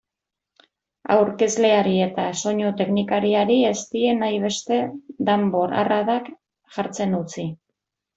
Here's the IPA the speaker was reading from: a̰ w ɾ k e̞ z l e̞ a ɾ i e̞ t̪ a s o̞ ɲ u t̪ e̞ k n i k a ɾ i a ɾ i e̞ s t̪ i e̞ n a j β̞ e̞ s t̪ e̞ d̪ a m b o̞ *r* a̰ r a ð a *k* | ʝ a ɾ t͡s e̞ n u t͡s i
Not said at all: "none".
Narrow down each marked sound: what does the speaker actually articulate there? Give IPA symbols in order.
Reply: ɾ, k

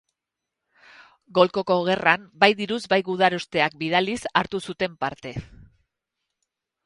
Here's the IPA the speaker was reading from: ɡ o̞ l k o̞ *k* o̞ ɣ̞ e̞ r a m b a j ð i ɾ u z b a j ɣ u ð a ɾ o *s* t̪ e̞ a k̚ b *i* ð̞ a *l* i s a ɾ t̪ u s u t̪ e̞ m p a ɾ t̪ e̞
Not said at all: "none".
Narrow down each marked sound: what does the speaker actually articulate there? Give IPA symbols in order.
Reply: k, s, i, l

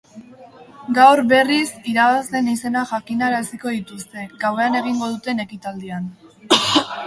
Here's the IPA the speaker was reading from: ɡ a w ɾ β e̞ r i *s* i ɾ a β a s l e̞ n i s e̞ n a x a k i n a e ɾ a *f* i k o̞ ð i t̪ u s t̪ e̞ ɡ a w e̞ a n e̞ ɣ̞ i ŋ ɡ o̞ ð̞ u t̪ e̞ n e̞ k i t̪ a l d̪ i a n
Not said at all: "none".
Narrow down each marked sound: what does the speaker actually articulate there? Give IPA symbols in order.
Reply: s, s

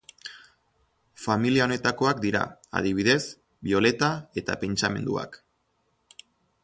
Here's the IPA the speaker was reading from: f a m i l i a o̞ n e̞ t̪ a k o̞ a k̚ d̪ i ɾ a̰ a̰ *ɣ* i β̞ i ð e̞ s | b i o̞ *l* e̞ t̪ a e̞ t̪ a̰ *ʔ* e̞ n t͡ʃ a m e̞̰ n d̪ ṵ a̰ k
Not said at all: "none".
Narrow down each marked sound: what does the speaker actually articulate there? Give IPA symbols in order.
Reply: ð, l, p

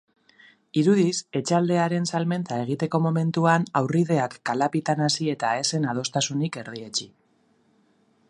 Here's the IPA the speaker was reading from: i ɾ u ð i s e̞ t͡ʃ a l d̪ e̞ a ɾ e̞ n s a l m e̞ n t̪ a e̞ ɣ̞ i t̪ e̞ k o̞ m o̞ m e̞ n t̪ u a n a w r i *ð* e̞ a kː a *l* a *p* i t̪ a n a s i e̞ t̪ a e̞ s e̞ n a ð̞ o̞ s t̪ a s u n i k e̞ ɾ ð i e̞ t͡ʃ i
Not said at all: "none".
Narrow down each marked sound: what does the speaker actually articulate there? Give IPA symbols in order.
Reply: ð, l, p

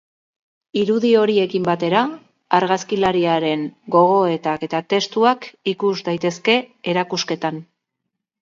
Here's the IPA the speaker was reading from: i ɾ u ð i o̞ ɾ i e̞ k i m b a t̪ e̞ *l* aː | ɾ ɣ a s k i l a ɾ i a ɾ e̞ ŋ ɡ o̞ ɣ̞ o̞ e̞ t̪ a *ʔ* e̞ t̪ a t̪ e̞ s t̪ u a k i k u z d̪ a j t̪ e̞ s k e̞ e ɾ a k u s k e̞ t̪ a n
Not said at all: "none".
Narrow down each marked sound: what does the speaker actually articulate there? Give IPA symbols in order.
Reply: ɾ, k

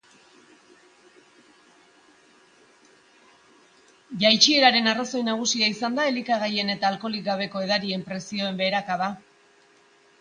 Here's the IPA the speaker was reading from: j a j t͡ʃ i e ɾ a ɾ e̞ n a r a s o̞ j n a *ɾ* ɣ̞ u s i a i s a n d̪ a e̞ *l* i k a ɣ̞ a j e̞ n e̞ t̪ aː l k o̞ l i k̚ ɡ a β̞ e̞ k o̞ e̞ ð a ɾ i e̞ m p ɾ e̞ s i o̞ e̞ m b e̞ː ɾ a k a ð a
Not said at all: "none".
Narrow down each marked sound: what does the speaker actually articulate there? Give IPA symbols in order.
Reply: none, l

